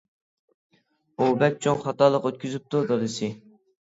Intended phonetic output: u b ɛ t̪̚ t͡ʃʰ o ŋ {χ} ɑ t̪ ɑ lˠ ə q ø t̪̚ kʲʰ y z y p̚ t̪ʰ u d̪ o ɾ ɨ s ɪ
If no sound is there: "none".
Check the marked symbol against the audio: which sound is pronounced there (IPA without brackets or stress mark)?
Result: χ